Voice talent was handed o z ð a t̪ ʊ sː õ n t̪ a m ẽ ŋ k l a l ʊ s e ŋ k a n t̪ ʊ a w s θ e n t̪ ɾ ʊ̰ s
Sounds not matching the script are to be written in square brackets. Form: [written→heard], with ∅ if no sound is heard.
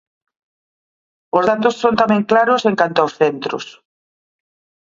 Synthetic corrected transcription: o z ð a t̪ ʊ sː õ n t̪ a m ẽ ŋ k l a [l→ɾ] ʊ s e ŋ k a n t̪ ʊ a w s θ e n t̪ ɾ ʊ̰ s